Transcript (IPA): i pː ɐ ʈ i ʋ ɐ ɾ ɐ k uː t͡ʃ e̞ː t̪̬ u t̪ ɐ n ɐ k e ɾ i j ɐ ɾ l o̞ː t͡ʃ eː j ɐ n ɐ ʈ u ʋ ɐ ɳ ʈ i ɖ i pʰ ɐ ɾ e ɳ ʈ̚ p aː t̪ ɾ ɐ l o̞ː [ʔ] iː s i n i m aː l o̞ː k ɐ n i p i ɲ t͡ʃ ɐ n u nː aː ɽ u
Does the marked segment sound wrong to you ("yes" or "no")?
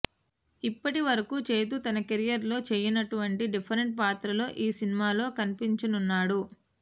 no